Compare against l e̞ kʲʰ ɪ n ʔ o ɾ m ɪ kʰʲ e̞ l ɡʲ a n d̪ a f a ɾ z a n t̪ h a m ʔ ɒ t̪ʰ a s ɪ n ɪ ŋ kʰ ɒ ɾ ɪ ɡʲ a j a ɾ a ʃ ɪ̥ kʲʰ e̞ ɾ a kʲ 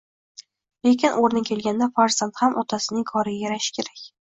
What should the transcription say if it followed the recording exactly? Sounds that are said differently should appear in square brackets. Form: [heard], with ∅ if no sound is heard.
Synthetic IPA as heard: l e̞ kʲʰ ɪ n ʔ o ɾ [n] ɪ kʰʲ e̞ l ɡʲ a n d̪ a f a ɾ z a n t̪ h a m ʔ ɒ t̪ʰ a s ɪ n ɪ ŋ kʰ ɒ ɾ ɪ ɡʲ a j a ɾ a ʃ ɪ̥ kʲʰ e̞ ɾ a kʲ